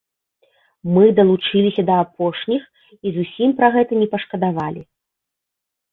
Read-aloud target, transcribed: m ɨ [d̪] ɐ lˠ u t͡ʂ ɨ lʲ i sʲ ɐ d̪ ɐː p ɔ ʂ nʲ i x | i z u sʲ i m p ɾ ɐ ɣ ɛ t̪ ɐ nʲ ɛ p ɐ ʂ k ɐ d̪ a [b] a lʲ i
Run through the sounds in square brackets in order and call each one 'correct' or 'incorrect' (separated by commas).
correct, incorrect